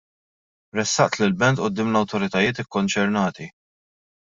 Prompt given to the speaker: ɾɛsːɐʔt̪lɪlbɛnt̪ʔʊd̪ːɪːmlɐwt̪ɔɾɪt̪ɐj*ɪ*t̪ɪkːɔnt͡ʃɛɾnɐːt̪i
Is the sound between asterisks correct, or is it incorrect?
incorrect